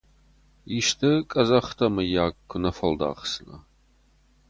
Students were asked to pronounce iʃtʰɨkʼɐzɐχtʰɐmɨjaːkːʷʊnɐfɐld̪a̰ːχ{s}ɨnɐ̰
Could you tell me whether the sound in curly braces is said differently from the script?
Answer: no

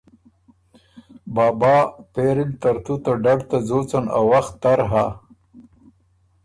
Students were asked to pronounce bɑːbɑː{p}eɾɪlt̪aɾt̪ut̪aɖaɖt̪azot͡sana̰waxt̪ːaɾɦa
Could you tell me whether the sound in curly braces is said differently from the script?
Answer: no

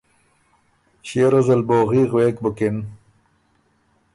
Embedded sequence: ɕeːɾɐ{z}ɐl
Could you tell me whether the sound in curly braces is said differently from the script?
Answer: no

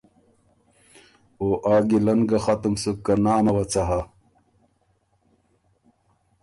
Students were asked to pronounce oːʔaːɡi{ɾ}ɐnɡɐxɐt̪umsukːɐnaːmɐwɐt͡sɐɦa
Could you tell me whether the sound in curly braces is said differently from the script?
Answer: yes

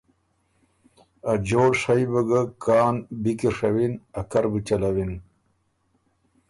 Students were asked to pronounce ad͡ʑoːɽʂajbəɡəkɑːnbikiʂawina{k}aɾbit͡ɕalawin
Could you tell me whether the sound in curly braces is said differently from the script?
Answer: no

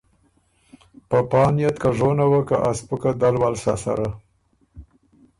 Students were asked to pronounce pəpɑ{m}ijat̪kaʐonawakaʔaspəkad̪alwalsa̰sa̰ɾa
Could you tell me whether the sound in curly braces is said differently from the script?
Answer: yes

